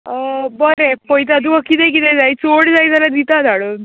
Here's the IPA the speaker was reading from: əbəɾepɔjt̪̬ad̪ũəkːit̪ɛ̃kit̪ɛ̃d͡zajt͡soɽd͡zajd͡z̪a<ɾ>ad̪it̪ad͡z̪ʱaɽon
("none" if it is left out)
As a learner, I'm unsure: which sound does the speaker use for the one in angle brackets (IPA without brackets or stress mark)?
l